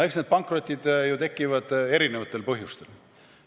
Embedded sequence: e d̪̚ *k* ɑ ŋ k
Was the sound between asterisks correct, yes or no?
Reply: no